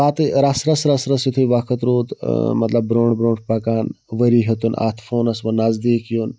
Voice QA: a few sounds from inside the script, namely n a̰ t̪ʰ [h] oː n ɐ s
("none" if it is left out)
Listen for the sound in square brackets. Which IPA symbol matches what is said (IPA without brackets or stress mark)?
f